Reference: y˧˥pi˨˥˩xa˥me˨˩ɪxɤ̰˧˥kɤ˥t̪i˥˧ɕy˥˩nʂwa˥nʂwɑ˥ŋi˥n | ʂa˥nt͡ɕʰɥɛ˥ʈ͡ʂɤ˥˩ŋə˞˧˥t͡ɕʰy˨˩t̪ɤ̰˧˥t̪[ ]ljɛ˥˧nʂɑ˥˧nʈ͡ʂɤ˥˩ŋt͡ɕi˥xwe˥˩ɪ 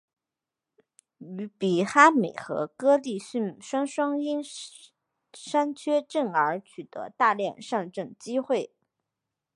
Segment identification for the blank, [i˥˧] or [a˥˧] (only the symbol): a˥˧